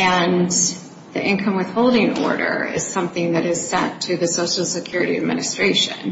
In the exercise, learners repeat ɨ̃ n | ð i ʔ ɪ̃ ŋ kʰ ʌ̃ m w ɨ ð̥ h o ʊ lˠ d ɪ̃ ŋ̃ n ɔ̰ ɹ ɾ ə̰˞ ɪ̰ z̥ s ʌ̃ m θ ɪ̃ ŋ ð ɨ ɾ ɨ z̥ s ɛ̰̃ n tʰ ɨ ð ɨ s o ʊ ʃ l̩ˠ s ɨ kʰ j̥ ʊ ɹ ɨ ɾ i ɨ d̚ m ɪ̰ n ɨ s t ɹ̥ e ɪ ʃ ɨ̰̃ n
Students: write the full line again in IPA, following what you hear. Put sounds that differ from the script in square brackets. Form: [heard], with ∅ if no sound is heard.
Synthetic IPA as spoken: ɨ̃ n | ð i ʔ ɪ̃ [n] kʰ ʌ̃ m w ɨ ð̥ h o ʊ lˠ d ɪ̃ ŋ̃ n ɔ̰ ɹ ɾ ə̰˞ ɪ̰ z̥ s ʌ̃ m θ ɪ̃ ŋ ð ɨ ɾ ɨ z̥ s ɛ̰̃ n tʰ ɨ ð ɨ s o ʊ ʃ l̩ˠ s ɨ kʰ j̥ ʊ ɹ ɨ ɾ i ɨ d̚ m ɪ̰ n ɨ s t ɹ̥ e ɪ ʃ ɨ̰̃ n

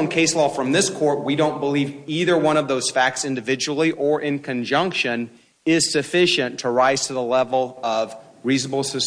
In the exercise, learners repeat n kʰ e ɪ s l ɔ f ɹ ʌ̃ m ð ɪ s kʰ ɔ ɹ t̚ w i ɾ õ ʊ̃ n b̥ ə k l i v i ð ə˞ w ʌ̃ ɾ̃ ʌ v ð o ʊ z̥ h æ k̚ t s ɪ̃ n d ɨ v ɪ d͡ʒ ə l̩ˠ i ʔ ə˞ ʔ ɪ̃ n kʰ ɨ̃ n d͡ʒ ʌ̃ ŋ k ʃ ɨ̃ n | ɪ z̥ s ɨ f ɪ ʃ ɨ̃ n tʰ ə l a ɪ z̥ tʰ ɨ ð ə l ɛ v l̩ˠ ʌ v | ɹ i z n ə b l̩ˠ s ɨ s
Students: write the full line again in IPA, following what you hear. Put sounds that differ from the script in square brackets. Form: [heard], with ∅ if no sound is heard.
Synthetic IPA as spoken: n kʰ e ɪ s l ɔ f ɹ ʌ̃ m ð ɪ s kʰ ɔ ɹ t̚ w i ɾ õ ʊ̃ n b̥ ə [∅] l i v i ð ə˞ w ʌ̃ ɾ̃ ʌ v ð o ʊ z̥ [f] æ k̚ t s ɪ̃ n d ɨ v ɪ d͡ʒ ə l̩ˠ i ʔ ə˞ ʔ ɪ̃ n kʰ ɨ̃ n d͡ʒ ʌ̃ ŋ k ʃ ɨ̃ n | ɪ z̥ s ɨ f ɪ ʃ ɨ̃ n tʰ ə [ɹ] a ɪ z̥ tʰ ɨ ð ə l ɛ v l̩ˠ ʌ v | ɹ i z n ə b l̩ˠ s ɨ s

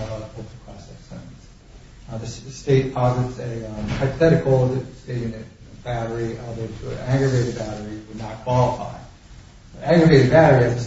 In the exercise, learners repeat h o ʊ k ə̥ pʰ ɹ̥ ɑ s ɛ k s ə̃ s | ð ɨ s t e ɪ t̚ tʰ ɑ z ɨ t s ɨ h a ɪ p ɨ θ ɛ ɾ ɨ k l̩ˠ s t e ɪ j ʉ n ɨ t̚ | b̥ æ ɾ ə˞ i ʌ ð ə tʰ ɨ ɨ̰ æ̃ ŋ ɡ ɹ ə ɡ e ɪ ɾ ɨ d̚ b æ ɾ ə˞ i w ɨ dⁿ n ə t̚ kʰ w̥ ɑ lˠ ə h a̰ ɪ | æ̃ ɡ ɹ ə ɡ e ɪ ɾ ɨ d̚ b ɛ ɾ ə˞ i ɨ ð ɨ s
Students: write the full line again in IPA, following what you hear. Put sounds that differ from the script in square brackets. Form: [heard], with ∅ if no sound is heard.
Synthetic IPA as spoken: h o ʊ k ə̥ pʰ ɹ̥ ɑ s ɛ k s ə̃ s | ð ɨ s t e ɪ t̚ [pʰ] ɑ z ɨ t s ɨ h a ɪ p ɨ θ ɛ ɾ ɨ k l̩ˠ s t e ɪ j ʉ n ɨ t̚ | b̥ æ ɾ ə˞ i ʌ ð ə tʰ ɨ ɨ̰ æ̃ ŋ ɡ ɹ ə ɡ e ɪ ɾ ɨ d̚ b æ ɾ ə˞ i w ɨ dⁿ n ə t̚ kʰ w̥ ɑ lˠ ə [f] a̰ ɪ | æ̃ ɡ ɹ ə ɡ e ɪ ɾ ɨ d̚ b [æ] ɾ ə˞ i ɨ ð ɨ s

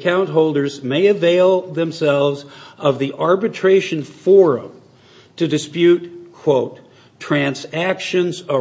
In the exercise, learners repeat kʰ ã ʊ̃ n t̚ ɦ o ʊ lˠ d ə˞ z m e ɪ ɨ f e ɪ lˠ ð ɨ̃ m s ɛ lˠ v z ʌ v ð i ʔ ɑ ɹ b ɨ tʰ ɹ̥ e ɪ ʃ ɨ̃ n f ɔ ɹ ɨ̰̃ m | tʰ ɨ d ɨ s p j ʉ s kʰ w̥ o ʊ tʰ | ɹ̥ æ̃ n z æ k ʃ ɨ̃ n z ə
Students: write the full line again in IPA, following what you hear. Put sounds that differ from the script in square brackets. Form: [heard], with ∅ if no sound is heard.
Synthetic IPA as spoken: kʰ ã ʊ̃ n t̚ ɦ o ʊ lˠ d ə˞ z m e ɪ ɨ [v] e ɪ lˠ ð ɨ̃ m s ɛ lˠ v z ʌ v ð i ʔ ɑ ɹ b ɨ tʰ ɹ̥ e ɪ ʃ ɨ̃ n f ɔ ɹ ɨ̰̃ m | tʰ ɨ d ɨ s p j ʉ [t] kʰ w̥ o ʊ tʰ | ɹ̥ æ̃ n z æ k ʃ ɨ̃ n z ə

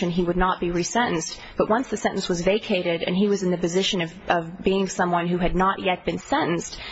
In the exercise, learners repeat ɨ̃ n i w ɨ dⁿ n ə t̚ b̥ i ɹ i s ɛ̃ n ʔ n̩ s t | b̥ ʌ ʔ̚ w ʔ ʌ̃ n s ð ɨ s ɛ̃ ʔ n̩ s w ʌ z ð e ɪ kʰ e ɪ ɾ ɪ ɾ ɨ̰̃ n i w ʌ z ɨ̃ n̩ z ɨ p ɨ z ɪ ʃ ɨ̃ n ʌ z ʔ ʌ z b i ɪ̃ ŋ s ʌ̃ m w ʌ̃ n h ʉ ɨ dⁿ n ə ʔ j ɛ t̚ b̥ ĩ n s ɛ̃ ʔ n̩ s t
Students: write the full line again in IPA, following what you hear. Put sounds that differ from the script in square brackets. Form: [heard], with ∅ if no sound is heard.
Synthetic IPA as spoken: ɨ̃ n i w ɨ dⁿ n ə t̚ b̥ i ɹ i s ɛ̃ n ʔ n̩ s t | b̥ ʌ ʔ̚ w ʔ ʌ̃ n s ð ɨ s ɛ̃ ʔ n̩ s w ʌ z [v] e ɪ kʰ e ɪ ɾ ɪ ɾ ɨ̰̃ n i w ʌ z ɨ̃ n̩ [ð] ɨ p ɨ z ɪ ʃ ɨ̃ n ʌ [v] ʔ ʌ [v] b i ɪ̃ ŋ s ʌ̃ m w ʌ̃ n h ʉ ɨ dⁿ n ə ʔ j ɛ t̚ b̥ [ɨ̃] n s ɛ̃ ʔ n̩ s t

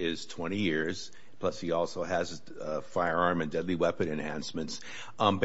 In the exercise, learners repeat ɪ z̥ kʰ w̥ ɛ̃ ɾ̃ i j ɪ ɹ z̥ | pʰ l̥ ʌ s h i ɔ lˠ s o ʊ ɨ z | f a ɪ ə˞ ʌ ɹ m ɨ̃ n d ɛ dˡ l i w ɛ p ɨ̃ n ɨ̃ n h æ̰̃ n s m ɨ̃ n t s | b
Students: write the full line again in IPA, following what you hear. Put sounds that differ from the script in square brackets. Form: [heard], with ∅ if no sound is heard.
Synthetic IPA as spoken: ɪ z̥ [tʰ] w̥ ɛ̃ ɾ̃ i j ɪ ɹ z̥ | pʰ l̥ ʌ s h i ɔ lˠ s o ʊ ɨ z | f a ɪ ə˞ [ɑ] ɹ m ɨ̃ n d ɛ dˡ l i w ɛ p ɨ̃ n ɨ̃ n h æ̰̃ n s m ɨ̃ n t s | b

